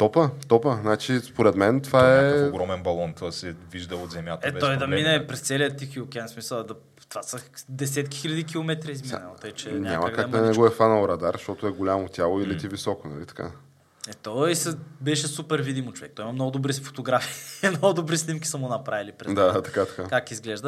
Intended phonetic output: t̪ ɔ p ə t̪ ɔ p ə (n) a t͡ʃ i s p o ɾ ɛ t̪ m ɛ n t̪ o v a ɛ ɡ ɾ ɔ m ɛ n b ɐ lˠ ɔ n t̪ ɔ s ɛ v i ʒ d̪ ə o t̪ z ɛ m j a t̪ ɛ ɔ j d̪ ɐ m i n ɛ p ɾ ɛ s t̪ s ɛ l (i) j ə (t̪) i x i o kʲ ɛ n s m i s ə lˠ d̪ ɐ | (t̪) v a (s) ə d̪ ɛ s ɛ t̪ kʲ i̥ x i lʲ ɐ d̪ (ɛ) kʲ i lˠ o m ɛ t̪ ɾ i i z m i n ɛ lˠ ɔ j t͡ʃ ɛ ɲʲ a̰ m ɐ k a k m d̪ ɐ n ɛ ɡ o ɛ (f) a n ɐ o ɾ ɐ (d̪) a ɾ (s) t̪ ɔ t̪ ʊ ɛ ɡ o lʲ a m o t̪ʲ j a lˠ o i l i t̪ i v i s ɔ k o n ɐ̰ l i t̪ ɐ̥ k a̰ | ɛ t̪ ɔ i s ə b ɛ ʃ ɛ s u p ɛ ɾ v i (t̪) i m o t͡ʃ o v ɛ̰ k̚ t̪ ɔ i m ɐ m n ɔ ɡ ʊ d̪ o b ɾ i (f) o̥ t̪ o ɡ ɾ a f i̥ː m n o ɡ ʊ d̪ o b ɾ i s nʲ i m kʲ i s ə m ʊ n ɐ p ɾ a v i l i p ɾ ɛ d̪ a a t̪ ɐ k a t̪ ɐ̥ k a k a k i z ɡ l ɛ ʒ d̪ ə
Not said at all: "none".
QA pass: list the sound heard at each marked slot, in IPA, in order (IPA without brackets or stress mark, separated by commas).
n, i, t̪, t̪, s, i, f, d̪, ʃ, d̪, f